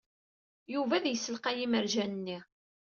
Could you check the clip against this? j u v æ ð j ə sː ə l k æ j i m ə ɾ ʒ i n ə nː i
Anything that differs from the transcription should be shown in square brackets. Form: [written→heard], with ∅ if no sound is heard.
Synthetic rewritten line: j u v æ ð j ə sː ə l [k→q] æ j i m ə ɾ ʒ [i→æ] n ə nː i